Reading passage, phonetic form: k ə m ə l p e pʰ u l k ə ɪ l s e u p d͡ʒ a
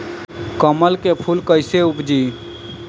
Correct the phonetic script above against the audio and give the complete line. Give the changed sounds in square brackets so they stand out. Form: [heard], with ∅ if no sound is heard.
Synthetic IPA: k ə m ə l [k] e pʰ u l k ə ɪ [∅] s e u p d͡ʒ [i]